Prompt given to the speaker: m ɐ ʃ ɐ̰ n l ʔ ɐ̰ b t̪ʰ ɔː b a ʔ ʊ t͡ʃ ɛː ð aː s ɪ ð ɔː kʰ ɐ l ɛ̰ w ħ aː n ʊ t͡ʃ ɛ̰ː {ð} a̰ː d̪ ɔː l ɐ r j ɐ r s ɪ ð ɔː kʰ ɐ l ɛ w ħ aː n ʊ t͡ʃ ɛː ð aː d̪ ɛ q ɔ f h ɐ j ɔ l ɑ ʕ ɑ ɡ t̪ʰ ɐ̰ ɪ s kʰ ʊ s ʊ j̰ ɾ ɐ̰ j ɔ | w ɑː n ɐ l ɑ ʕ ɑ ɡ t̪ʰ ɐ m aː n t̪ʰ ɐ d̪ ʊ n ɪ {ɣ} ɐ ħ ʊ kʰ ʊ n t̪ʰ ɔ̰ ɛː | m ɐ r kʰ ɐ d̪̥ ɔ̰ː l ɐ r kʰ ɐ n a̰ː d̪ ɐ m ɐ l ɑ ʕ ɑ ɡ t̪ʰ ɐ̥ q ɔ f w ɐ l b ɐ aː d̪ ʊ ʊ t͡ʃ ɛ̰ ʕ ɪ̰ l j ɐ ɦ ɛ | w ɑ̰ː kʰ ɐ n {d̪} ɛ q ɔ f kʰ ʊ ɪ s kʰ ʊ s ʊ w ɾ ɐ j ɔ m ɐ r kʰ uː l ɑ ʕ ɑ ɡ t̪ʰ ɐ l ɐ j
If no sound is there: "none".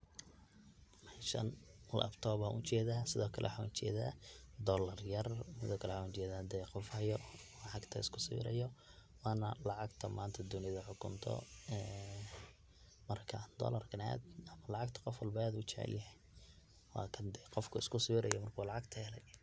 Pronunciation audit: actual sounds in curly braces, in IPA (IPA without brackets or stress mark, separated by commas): ð, ð, d̪